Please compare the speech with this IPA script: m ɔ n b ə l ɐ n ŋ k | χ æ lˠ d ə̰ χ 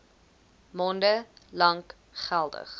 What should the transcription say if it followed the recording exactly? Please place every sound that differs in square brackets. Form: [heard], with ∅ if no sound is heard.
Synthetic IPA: m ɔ n [d] ə l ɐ [∅] ŋ k | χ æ lˠ d ə̰ χ